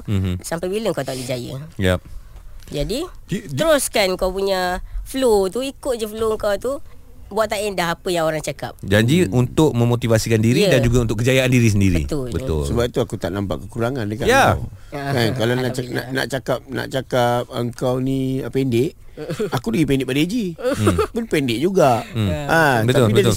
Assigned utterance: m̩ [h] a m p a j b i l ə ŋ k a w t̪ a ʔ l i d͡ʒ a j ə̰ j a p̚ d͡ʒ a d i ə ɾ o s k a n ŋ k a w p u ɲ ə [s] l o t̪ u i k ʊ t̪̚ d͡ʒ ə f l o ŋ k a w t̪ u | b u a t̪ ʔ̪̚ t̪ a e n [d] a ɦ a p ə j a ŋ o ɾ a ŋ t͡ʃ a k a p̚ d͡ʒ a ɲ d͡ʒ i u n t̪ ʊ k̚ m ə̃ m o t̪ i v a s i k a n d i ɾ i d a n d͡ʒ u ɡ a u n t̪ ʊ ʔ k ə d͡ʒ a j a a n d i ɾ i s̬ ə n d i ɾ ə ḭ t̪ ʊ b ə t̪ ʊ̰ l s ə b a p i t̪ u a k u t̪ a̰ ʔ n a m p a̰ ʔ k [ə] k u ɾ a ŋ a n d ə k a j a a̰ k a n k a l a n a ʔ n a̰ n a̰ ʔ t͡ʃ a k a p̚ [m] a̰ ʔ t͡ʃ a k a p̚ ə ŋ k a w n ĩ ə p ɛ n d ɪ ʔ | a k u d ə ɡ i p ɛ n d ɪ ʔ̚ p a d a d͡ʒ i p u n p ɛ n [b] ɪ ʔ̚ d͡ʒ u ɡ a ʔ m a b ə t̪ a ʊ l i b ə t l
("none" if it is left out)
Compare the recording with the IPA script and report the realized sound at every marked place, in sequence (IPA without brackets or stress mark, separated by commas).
s, f, d, ə, n, d